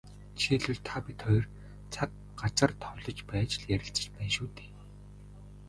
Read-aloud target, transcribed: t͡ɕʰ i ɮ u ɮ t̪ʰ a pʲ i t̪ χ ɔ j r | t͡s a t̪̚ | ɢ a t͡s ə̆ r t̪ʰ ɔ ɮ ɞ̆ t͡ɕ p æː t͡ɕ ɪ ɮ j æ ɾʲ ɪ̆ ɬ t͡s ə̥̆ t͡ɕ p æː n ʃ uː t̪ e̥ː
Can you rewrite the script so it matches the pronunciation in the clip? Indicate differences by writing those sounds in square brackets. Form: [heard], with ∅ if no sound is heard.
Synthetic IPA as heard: t͡ɕʰ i ɮ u ɮ t̪ʰ a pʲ i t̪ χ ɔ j r | [t͡sʰ] a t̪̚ | ɢ a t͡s ə̆ r t̪ʰ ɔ ɮ ɞ̆ t͡ɕ p æː t͡ɕ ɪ ɮ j æ ɾʲ ɪ̆ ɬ t͡s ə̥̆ t͡ɕ p æː n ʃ uː t̪ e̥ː

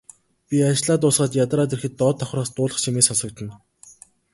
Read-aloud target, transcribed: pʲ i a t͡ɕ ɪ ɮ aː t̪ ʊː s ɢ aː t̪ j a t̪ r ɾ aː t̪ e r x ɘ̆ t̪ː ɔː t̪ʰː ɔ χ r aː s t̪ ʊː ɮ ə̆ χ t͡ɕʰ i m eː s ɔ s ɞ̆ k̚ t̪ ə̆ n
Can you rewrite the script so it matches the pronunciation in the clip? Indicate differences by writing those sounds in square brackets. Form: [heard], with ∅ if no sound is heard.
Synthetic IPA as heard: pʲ i a t͡ɕ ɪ ɮ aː t̪ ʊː s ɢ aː t̪ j a t̪ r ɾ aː t̪ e r x ɘ̆ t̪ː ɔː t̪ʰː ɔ χ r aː s t̪ ʊː ɮ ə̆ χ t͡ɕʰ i m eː s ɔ s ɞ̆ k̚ t̪ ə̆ n

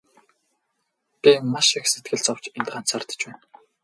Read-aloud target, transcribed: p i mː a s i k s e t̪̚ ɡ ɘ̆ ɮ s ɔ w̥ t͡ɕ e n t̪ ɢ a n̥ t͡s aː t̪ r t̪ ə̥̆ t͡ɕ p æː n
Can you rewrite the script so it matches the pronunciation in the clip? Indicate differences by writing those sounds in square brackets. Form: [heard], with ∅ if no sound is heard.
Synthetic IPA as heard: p i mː a [ʃ] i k s e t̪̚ ɡ ɘ̆ ɮ [t͡s] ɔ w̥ t͡ɕ e n t̪ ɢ a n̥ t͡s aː [∅] r t̪ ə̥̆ t͡ɕ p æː n

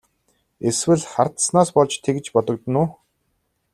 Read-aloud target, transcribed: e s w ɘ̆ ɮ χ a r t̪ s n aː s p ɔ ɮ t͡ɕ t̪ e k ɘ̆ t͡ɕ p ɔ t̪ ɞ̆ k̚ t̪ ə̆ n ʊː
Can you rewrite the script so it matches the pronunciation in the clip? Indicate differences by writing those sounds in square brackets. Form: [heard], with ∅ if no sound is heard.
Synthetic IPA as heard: e s w ɘ̆ ɮ χ a r t̪ s n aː s p ɔ ɮ t͡ɕ [t̪ʰ] e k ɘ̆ t͡ɕ p ɔ t̪ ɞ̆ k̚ t̪ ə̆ n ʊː

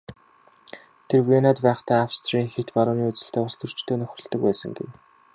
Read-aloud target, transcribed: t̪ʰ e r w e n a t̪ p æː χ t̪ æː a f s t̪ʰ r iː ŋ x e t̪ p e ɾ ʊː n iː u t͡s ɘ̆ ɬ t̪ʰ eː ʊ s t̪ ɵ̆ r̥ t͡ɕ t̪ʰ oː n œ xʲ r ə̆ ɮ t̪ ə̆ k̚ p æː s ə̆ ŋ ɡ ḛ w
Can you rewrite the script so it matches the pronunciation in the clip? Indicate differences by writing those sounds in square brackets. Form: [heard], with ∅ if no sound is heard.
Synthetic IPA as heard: t̪ʰ e r w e n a t̪ p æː χ t̪ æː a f s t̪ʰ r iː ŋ x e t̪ p [a] ɾ ʊː n iː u t͡s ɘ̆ ɬ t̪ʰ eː ʊ s t̪ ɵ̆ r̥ t͡ɕ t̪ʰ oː n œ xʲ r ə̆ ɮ t̪ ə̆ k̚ p æː s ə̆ ŋ ɡ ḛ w

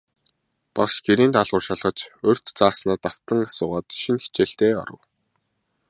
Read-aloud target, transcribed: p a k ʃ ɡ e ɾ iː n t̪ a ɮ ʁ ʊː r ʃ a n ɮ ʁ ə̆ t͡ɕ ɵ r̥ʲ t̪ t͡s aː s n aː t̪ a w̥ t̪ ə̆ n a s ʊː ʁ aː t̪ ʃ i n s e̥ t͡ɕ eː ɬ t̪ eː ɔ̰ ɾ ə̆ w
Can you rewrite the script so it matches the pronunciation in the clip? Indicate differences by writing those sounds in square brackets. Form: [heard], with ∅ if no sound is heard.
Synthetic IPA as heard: p a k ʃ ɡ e ɾ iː n t̪ a ɮ ʁ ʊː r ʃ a [∅] ɮ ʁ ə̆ t͡ɕ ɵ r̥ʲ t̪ t͡s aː s n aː t̪ a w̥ t̪ ə̆ [ŋ] a s ʊː ʁ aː t̪ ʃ i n [x] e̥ t͡ɕ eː ɬ t̪ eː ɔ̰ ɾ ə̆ w

